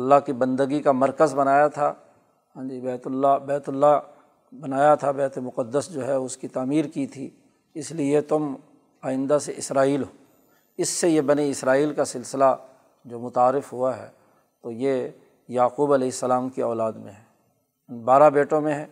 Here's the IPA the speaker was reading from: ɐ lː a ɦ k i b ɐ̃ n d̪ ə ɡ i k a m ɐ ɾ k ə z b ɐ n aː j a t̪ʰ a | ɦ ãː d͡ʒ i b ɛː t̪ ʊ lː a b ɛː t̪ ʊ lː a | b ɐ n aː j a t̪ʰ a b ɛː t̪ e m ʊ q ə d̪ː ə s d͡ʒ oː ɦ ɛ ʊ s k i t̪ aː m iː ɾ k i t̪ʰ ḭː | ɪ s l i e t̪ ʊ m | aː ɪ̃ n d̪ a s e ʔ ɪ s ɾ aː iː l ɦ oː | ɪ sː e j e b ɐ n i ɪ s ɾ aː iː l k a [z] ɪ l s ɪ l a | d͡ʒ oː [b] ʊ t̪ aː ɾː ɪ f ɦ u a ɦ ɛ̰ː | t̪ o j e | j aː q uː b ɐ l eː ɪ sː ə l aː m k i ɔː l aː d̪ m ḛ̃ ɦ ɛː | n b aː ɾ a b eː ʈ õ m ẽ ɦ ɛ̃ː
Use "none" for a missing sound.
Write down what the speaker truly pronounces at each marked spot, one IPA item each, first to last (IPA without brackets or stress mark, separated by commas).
s, m